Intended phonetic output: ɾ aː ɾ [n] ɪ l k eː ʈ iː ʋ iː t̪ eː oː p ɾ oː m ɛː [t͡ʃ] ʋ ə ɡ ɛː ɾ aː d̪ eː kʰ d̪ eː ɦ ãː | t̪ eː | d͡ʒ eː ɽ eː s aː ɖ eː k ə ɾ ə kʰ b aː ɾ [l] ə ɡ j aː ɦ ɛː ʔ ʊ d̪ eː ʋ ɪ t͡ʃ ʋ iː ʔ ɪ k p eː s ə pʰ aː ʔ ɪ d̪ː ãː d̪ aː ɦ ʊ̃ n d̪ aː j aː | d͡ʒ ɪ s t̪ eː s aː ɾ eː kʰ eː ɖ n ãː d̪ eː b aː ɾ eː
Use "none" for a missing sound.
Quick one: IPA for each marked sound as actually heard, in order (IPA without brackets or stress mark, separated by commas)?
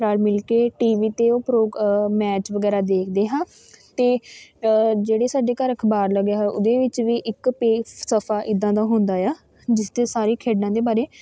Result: m, t͡ʃ, l